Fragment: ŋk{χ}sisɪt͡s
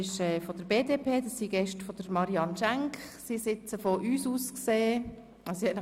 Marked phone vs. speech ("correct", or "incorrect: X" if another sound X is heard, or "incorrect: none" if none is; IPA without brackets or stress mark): correct